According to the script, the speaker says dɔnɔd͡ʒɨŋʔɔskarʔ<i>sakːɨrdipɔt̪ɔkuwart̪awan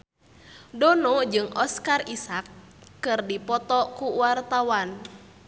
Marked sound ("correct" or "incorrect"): correct